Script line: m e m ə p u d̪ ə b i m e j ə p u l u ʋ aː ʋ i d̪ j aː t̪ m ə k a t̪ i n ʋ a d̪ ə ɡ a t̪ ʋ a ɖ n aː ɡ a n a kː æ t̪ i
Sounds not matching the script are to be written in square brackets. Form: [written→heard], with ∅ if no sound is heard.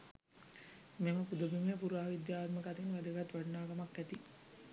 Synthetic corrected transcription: m e m ə p u d̪ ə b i m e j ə p u [l→ɾ] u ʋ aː ʋ i d̪ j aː t̪ m ə k a t̪ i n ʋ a d̪ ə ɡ a t̪ ʋ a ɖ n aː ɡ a [n→m] a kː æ t̪ i